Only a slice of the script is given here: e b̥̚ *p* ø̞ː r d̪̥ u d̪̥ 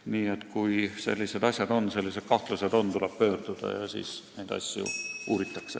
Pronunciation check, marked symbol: correct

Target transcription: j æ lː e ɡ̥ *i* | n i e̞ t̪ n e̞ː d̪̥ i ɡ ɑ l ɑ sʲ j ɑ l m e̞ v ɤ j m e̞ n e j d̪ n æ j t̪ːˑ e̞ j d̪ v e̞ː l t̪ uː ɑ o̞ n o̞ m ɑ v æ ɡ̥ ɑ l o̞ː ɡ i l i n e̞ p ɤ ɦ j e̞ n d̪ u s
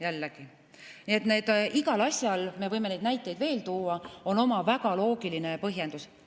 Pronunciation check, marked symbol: correct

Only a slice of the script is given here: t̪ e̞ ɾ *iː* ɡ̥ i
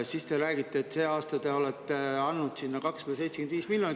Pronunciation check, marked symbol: incorrect: æː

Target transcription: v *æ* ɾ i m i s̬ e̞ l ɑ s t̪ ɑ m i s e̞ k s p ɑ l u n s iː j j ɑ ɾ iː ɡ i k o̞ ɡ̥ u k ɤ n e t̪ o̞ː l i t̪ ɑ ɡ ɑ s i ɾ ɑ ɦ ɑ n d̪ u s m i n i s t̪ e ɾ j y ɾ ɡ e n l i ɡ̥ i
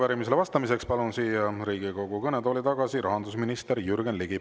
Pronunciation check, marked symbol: correct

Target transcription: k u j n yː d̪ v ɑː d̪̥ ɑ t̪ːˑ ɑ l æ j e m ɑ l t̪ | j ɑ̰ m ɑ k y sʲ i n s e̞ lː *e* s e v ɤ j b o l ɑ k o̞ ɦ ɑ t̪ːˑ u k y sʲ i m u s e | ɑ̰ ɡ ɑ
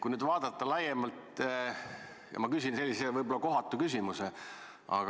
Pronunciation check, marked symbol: incorrect: i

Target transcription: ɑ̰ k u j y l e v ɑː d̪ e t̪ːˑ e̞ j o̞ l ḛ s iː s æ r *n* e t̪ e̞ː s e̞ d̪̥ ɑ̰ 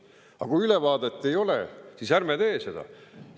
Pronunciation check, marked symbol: incorrect: m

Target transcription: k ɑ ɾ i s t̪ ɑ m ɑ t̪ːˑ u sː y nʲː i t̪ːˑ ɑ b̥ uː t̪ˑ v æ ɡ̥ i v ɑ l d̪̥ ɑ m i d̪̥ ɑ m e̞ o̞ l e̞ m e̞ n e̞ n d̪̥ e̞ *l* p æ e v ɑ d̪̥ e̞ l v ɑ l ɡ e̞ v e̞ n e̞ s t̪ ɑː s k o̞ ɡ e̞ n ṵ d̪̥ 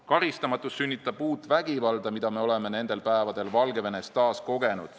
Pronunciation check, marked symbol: correct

